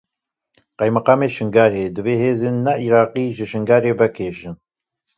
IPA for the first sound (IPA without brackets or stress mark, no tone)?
q